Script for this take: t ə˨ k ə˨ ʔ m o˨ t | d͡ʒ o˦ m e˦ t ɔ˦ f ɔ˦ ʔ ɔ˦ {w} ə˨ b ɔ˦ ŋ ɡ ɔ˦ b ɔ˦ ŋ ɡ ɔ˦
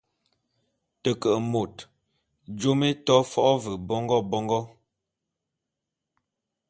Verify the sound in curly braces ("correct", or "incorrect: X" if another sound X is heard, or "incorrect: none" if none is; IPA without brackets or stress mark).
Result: incorrect: v